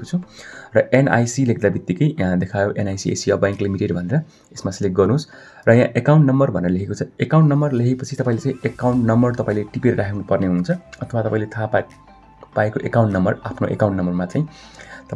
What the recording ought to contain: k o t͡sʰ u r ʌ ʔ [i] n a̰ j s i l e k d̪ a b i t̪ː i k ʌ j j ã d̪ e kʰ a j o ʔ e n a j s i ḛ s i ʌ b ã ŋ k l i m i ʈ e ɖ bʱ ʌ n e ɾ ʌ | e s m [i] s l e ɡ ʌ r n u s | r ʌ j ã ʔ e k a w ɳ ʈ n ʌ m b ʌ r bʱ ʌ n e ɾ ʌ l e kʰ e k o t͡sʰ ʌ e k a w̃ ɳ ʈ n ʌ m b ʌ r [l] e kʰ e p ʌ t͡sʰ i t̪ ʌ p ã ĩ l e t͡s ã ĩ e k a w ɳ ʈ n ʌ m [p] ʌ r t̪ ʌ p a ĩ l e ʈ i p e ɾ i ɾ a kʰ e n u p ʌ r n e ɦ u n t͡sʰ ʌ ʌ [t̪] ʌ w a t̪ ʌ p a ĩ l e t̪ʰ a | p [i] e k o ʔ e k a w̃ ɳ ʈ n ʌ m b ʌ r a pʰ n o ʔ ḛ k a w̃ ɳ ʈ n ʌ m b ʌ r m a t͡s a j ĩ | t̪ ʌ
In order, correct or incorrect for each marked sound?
incorrect, incorrect, correct, incorrect, incorrect, incorrect

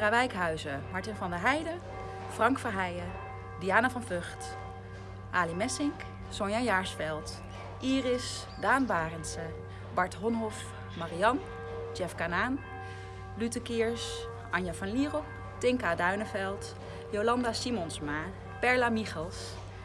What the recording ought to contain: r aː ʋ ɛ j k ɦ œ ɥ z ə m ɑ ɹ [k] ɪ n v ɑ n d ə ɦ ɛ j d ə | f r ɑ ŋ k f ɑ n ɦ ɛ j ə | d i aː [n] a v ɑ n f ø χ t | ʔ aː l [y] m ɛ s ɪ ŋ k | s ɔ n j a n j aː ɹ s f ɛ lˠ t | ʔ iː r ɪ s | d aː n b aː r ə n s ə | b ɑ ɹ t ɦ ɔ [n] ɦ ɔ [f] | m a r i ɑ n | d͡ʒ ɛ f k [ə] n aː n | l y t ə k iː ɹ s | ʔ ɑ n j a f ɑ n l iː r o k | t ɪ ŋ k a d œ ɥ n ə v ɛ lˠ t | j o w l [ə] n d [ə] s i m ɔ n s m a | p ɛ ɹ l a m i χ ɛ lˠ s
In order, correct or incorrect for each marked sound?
incorrect, correct, incorrect, correct, correct, incorrect, incorrect, incorrect

